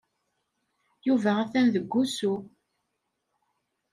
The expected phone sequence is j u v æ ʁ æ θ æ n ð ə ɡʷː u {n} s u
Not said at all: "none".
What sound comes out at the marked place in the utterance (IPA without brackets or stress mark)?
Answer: none